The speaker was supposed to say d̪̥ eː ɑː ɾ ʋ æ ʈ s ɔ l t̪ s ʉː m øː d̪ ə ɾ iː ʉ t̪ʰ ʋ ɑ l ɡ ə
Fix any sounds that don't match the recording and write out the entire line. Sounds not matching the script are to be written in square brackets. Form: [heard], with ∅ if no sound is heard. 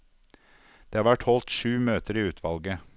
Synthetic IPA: d̪̥ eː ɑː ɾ ʋ æ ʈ [h] ɔ l t̪ [ʃ] ʉː m øː [t̪] ə ɾ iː [ʉː] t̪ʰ ʋ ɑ l ɡ ə